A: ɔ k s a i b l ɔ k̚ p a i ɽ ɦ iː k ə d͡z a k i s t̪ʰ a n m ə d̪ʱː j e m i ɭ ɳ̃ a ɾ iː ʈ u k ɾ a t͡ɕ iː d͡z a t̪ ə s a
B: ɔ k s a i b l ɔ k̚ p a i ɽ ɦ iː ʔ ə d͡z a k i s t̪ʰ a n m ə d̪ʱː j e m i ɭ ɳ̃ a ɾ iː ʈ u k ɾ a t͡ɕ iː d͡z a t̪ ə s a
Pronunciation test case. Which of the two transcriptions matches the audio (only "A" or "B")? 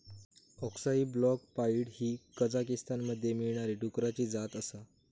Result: A